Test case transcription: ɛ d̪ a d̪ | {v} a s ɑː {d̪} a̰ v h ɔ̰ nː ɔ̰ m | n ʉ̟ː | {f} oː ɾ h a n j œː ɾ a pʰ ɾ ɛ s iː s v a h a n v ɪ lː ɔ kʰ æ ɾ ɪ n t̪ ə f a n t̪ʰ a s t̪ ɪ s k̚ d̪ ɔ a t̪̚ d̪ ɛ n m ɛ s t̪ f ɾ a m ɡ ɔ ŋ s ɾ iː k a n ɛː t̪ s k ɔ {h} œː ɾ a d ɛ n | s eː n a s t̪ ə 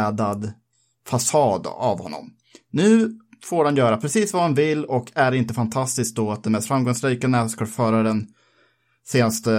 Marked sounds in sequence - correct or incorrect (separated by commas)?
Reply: incorrect, correct, correct, incorrect